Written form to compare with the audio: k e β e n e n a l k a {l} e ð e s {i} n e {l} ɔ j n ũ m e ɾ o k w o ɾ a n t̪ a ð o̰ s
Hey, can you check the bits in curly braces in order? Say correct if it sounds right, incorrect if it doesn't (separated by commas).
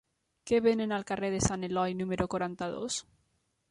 incorrect, incorrect, correct